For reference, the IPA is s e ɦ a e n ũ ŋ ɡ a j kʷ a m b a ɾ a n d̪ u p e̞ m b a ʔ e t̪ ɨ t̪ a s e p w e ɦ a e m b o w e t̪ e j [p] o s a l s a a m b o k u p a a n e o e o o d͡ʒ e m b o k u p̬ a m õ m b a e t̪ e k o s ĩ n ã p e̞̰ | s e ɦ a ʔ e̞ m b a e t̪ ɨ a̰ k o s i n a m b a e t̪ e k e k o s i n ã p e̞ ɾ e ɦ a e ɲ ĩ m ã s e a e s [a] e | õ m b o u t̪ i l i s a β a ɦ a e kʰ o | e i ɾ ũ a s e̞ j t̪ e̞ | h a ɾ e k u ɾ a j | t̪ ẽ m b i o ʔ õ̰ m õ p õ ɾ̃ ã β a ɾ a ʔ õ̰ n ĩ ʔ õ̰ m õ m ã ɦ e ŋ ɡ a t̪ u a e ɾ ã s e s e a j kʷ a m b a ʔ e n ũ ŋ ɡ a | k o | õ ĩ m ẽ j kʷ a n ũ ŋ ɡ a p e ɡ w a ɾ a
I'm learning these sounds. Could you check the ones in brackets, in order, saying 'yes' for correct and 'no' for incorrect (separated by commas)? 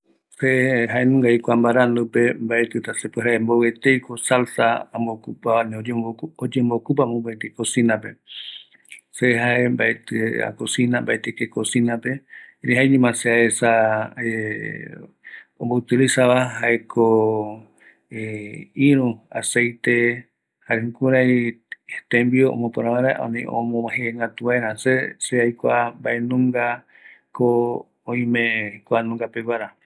no, yes